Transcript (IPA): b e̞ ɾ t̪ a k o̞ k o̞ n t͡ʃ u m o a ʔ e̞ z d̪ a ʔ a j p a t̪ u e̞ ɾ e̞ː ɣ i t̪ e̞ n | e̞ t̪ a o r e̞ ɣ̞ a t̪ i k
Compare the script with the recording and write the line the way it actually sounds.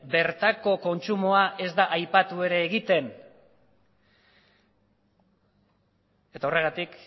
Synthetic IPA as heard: b e̞ ɾ t̪ a k o̞ k o̞ n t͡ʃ u m o a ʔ e̞ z d̪ a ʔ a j p a t̪ u e̞ ɾ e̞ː ɣ i t̪ e̞ n | e̞ t̪ a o r e̞ ɣ̞ a t̪ i k